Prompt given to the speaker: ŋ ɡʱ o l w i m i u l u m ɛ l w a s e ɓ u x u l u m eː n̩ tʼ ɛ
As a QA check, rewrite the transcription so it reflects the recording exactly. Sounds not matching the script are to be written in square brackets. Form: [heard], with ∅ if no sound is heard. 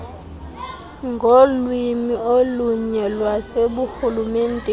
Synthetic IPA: ŋ ɡʱ o l w i m i [o] l u [ɲ] ɛ l w a s e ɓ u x u l u m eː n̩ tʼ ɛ

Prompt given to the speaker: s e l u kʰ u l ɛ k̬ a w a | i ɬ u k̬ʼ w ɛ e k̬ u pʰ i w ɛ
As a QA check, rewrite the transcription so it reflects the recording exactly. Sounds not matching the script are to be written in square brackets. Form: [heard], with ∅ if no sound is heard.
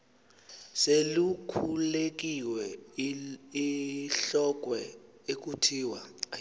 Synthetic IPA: s e l u kʰ u l [e] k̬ [i] w [ɛ] | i ɬ [ɔ] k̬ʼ w ɛ e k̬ u [tʰ] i w [a]

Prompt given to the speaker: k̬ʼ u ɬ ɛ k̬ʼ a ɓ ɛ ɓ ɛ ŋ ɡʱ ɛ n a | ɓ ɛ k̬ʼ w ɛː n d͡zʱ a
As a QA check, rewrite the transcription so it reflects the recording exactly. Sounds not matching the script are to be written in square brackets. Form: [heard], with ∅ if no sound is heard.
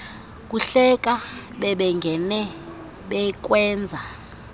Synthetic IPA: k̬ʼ u ɬ ɛ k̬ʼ a ɓ ɛ ɓ ɛ ŋ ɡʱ ɛ n [ɛ] | ɓ ɛ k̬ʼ w ɛː n d͡zʱ a

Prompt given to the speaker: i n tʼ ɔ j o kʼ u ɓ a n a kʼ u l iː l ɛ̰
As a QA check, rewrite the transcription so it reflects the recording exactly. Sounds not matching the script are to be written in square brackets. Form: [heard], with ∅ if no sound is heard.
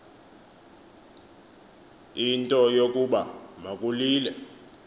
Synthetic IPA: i n tʼ ɔ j o kʼ u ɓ a [m] a kʼ u l iː l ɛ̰

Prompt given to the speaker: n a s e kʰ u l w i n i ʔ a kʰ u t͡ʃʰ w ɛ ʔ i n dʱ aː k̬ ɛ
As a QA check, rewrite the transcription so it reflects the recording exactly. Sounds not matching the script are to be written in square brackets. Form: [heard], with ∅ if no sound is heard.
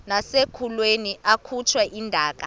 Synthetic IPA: n a s e kʰ u l w [e] n i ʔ a kʰ u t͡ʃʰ w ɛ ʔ i n dʱ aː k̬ [a]

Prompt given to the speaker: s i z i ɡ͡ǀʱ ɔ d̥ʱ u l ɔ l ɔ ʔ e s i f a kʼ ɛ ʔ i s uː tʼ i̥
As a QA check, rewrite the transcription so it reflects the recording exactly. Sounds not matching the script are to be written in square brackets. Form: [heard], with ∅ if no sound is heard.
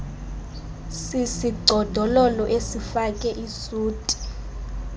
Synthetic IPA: s i [s] i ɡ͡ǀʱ ɔ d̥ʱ [ɔ] l ɔ l ɔ ʔ e s i f a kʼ ɛ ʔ i s uː tʼ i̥

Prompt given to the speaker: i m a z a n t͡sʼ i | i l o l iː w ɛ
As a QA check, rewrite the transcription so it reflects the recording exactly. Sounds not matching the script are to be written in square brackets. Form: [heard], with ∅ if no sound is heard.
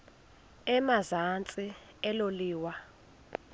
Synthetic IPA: [ɛ] m a z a n t͡sʼ i | [ɛ] l o l iː w [a]

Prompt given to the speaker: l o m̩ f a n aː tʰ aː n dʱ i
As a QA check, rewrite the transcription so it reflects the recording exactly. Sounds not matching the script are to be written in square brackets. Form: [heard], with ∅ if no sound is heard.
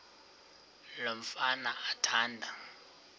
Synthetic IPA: l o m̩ f a n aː tʰ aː n dʱ [a]

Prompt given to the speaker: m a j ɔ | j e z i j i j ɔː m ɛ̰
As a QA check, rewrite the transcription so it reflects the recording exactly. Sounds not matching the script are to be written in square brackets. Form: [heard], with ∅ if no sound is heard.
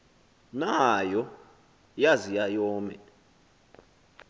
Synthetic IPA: [n] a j ɔ | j [a] z i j [a] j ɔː m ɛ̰

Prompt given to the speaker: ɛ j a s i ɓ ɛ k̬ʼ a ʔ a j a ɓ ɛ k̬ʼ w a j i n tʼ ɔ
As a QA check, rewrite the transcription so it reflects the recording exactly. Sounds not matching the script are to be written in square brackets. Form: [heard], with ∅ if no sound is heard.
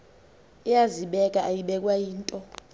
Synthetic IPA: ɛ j a [z] i ɓ ɛ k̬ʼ a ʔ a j [i] ɓ ɛ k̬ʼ w a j [iː] n tʼ ɔ

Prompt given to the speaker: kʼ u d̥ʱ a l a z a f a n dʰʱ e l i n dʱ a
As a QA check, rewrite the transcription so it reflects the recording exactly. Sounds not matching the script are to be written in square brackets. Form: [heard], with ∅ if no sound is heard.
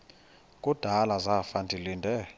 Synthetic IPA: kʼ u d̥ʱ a l a z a f a n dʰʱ [i] l i n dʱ [ɛ]

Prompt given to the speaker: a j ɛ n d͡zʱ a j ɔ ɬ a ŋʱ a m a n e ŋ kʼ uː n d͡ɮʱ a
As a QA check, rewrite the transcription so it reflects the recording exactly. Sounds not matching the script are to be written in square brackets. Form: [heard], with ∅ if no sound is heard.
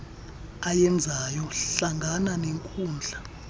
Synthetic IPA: a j ɛ n d͡zʱ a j ɔ ɬ a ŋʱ a [n] a n e ŋ kʼ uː n d͡ɮʱ a

